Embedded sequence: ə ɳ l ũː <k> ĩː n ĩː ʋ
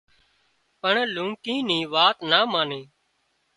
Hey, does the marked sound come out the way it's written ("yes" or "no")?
yes